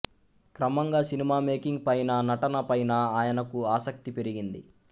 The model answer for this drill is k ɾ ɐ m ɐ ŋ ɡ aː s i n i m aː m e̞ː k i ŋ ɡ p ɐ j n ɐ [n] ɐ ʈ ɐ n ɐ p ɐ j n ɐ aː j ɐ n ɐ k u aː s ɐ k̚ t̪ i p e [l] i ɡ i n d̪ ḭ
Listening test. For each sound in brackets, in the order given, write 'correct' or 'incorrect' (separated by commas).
correct, incorrect